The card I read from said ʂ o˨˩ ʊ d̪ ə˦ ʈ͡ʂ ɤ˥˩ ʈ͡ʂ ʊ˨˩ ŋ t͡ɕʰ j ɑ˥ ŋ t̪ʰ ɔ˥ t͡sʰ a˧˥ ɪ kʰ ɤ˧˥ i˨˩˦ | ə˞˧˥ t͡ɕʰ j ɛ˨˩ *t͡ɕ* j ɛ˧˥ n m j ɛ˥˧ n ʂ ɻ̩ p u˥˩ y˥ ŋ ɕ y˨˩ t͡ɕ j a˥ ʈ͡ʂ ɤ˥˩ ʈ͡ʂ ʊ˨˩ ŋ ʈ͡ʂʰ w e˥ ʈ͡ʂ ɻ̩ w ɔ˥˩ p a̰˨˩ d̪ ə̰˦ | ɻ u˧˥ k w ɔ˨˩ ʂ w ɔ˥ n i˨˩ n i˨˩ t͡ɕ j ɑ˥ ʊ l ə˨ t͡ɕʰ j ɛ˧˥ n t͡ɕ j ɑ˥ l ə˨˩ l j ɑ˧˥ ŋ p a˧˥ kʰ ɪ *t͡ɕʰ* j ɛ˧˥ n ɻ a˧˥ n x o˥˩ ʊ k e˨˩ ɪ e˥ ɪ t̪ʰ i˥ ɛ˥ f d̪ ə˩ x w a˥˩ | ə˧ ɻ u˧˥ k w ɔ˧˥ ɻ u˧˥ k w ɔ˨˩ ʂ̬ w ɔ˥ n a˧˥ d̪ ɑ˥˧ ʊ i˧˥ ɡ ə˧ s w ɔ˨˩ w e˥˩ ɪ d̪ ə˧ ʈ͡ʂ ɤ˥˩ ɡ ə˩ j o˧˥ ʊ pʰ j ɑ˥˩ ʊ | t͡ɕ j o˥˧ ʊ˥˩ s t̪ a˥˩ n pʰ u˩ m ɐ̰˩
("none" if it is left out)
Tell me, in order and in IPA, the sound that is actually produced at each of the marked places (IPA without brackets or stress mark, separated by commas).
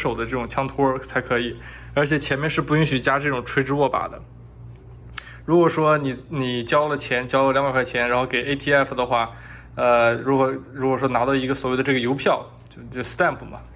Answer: t͡ɕʰ, t͡ɕʰ